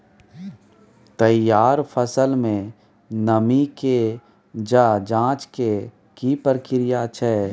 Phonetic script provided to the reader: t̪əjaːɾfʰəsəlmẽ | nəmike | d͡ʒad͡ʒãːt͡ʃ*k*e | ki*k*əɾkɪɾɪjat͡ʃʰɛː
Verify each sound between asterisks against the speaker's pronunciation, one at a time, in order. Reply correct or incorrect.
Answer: correct, incorrect: p

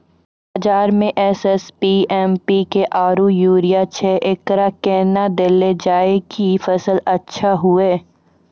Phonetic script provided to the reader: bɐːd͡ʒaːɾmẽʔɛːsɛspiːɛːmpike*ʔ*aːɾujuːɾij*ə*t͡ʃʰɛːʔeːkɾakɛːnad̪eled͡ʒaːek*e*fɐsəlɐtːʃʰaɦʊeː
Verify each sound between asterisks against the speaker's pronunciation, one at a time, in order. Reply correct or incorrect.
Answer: correct, incorrect: a, incorrect: i

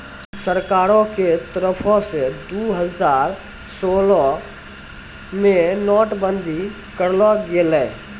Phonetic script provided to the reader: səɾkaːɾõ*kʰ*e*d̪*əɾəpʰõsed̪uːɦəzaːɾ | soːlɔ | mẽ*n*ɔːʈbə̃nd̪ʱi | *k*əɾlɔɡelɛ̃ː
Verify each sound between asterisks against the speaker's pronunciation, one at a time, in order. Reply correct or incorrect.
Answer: incorrect: k, incorrect: t̪, correct, correct

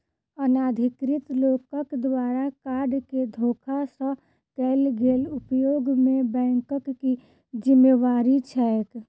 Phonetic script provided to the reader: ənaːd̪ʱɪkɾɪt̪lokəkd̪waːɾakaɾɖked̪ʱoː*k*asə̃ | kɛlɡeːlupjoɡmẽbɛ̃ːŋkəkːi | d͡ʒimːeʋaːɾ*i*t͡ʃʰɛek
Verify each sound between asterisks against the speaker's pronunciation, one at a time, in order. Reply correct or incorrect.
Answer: incorrect: kʰ, correct

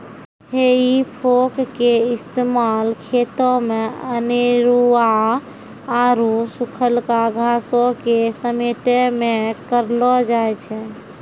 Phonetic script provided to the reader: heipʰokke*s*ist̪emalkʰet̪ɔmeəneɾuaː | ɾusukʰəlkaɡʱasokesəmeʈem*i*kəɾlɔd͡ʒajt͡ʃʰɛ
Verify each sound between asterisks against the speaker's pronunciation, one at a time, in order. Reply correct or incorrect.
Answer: incorrect: none, incorrect: e

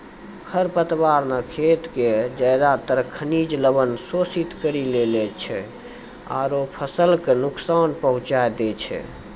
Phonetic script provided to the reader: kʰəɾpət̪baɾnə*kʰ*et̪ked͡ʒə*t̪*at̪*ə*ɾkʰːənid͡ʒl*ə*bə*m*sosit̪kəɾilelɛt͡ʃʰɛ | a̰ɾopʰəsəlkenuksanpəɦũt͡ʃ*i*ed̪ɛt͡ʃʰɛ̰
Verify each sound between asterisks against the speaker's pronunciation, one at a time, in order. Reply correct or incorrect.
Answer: correct, incorrect: d̪, correct, correct, incorrect: n, incorrect: a

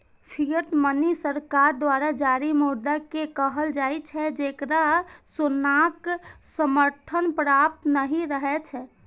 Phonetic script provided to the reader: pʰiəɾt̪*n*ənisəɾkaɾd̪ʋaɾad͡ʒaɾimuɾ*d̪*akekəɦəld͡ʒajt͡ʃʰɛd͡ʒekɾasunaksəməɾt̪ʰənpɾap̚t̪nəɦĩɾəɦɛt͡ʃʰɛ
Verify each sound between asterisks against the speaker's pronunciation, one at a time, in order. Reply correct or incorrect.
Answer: incorrect: m, correct

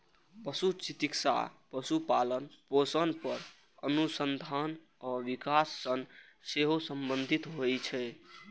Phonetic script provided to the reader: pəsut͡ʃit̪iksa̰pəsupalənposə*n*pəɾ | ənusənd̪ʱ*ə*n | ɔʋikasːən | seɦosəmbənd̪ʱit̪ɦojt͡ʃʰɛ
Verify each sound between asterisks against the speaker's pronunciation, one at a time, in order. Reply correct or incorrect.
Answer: correct, incorrect: a

